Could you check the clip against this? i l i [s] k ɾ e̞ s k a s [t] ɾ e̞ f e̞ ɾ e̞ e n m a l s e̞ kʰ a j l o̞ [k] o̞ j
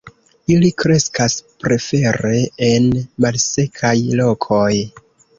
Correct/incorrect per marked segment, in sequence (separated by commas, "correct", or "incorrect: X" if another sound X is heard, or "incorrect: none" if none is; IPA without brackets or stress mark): incorrect: none, incorrect: p, incorrect: kʰ